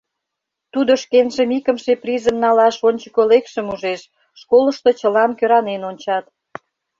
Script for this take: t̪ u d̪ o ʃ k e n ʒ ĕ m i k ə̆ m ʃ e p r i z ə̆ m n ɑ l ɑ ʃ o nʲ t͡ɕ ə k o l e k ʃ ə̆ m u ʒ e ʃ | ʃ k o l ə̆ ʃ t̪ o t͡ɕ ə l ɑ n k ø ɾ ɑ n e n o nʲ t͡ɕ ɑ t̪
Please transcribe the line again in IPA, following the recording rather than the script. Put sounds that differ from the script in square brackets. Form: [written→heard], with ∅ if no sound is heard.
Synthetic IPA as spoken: t̪ u d̪ o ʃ k e n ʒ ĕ m i k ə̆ m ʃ e p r i z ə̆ m n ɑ l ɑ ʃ o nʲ t͡ɕ ə k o l e k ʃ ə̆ m u ʒ e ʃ | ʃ k o l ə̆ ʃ t̪ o t͡ɕ ə l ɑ n k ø ɾ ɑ n e n o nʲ t͡ɕ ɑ t̪